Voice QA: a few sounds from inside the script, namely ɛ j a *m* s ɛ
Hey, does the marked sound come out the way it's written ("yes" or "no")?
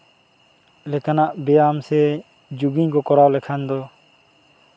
yes